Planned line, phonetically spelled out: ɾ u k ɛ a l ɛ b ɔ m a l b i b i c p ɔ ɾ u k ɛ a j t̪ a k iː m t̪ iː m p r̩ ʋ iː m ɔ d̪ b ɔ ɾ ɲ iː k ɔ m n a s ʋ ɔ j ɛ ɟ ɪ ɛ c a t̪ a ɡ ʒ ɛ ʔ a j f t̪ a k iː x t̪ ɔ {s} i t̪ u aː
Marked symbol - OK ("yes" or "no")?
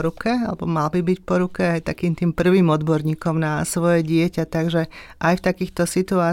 yes